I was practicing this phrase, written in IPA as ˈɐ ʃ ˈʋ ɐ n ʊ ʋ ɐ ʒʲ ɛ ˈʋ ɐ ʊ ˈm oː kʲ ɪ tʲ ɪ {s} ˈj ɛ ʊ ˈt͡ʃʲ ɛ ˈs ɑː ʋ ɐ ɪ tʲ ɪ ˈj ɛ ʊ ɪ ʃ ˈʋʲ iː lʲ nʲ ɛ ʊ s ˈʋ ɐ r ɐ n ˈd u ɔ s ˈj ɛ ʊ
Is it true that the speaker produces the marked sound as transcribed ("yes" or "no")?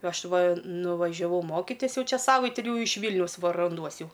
yes